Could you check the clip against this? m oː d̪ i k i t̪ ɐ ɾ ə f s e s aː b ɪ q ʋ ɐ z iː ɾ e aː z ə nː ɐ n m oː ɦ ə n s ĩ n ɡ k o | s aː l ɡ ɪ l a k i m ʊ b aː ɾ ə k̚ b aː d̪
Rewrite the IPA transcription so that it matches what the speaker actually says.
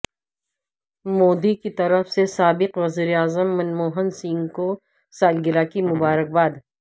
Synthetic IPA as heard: m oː d̪ i k i t̪ ɐ ɾ ə f s e s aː b ɪ q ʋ ɐ z iː ɾ e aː z ə mː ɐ n m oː ɦ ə n s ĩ ŋ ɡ k o | s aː l ɡ ɪ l a k i m ʊ b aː ɾ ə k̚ b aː d̪